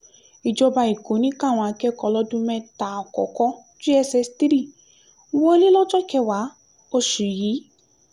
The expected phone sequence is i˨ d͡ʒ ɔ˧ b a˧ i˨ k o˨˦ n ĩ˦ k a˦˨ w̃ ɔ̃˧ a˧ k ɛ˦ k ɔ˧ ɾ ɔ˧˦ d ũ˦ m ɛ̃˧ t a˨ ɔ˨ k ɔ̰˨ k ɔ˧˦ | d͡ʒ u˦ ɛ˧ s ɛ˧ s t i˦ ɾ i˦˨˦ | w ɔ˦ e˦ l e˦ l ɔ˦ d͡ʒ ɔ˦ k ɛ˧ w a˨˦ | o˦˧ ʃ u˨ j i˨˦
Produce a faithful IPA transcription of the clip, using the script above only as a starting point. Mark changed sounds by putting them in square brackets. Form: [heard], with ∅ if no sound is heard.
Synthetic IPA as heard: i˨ d͡ʒ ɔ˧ b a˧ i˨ k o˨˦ n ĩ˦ k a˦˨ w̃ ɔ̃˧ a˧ k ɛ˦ k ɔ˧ [l] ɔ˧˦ d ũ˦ m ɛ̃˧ t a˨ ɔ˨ k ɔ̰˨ k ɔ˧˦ | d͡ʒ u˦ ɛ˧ s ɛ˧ s t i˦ ɾ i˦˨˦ | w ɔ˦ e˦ l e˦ l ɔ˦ d͡ʒ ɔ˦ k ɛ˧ w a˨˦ | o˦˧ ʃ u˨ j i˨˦